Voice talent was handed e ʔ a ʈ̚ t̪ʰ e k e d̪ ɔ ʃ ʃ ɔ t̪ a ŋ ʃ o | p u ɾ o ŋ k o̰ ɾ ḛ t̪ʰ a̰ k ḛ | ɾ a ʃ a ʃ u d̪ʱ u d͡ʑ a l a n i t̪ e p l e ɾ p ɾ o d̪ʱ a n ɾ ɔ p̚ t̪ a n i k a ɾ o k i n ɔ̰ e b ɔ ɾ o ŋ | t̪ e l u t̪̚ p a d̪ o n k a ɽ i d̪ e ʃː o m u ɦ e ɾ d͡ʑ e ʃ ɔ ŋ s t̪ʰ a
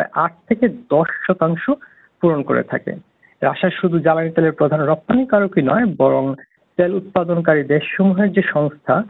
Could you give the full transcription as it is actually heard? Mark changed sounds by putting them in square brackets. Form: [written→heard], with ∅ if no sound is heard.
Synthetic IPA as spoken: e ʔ a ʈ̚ t̪ʰ e k e d̪ ɔ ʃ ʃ ɔ t̪ a ŋ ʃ o | p u ɾ o [ŋ→n] k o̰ ɾ ḛ t̪ʰ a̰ k ḛ | ɾ a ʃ a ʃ u d̪ʱ u d͡ʑ a l a n i t̪ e [p→∅] l e ɾ p ɾ o d̪ʱ a n ɾ ɔ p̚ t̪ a n i k a ɾ o k i n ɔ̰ e b ɔ ɾ o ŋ | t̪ e l u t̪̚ p a d̪ o n k a [ɽ→ɾ] i d̪ e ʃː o m u ɦ e ɾ d͡ʑ e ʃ ɔ ŋ s t̪ʰ a